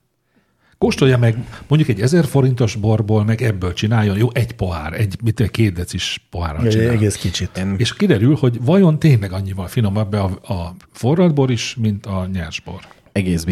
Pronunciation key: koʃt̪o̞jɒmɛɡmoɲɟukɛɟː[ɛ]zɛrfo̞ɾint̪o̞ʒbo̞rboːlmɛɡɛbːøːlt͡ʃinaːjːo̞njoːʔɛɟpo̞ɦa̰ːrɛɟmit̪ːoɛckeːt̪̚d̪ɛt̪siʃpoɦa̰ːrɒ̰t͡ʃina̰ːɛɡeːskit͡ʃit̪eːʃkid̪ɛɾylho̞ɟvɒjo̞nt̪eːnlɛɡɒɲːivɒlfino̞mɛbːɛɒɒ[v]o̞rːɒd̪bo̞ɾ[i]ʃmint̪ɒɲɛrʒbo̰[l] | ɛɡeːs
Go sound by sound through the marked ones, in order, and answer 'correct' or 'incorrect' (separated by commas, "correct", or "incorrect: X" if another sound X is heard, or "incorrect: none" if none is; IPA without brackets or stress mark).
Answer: correct, incorrect: f, correct, incorrect: r